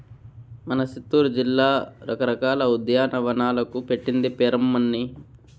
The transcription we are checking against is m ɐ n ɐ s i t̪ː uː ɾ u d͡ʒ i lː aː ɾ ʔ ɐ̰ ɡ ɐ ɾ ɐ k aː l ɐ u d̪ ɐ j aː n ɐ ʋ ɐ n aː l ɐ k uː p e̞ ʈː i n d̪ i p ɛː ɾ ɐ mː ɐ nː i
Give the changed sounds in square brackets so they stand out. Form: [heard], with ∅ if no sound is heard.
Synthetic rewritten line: m ɐ n ɐ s i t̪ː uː ɾ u d͡ʒ i lː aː ɾ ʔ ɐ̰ [k] ɐ ɾ ɐ k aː l ɐ u d̪ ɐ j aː n ɐ ʋ ɐ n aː l ɐ k [u] p e̞ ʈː i n d̪ i p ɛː ɾ ɐ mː ɐ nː i